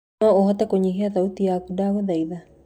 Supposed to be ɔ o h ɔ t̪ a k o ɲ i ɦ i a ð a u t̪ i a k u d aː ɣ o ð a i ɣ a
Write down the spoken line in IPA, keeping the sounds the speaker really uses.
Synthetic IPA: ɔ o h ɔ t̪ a k o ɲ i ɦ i a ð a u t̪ i a k u d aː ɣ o ð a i ð a

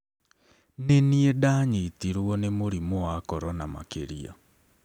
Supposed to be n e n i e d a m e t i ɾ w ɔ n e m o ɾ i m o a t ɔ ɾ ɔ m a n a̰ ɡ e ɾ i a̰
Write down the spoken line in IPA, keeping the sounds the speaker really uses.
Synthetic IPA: n e n i e d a ɲ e t i ɾ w ɔ n e m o ɾ i m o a k ɔ ɾ ɔ n a m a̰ k e ɾ i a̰

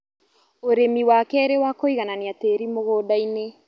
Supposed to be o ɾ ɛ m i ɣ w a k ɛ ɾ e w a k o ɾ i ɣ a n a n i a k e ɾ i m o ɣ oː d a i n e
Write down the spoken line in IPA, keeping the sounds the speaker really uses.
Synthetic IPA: o ɾ e m i w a k ɛ ɾ e w a k o i ɣ a n a n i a t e ɾ i m o ɣ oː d a i n e

